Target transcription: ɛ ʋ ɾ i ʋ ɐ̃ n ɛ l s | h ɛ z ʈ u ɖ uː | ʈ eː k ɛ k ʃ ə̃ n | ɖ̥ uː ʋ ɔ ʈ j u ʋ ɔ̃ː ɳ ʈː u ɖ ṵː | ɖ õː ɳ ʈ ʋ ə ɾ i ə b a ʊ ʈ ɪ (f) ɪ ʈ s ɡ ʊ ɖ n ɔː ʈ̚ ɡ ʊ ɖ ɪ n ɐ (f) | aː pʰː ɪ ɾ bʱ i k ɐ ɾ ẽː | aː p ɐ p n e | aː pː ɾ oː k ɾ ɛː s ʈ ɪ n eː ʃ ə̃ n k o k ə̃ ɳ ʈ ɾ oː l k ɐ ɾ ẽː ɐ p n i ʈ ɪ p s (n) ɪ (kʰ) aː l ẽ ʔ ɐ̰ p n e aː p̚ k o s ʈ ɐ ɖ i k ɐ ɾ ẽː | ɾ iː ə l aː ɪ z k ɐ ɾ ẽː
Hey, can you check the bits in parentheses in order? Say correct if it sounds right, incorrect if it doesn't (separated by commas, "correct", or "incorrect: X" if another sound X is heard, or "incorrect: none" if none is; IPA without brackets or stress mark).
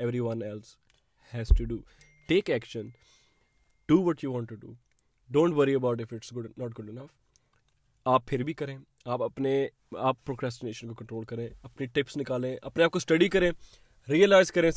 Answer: correct, correct, correct, incorrect: k